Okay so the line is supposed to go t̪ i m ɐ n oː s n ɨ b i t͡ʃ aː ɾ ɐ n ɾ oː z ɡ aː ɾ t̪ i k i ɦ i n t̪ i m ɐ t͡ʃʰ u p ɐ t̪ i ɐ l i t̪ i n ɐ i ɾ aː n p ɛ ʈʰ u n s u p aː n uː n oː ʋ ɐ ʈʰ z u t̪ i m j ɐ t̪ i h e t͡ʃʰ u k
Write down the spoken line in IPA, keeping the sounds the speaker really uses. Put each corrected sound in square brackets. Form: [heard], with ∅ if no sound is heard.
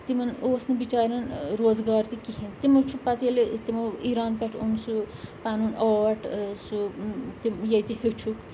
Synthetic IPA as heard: t̪ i m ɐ n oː s n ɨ b i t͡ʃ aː ɾ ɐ n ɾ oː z ɡ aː ɾ t̪ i k i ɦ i n t̪ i m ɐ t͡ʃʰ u p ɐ t̪ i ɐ l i t̪ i [m] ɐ i ɾ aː n p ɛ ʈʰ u n s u p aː n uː n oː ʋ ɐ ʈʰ [s] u t̪ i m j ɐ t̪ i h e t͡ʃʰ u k